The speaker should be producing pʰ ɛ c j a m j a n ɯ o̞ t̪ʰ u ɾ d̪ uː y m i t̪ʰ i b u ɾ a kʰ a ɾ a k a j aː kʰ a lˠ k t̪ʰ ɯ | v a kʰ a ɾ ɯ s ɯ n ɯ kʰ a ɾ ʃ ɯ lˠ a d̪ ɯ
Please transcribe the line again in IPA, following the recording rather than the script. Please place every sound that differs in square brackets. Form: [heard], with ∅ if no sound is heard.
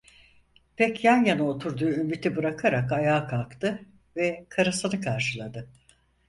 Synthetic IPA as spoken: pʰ ɛ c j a [n] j a n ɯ o̞ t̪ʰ u ɾ d̪ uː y m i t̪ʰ i b [ɯ] ɾ a kʰ a ɾ a k a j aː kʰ a lˠ k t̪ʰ ɯ | v [ɛ] kʰ a ɾ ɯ s ɯ n ɯ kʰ a ɾ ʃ ɯ lˠ a d̪ ɯ